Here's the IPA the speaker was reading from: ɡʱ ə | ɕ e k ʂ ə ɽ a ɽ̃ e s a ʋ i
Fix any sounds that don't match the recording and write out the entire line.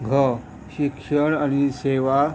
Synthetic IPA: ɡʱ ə | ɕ i k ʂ ə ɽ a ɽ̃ i s e ʋ a